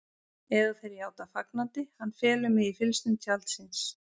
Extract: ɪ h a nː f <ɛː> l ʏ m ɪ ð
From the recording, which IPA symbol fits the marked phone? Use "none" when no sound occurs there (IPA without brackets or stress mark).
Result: ɛː